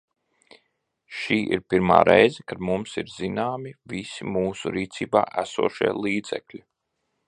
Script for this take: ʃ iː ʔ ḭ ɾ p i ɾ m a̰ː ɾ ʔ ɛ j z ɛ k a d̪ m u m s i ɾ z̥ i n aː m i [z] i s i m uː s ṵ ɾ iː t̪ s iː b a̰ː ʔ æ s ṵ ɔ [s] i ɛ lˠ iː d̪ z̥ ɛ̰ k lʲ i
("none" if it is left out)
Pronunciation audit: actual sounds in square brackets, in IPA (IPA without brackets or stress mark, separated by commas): v, ʃ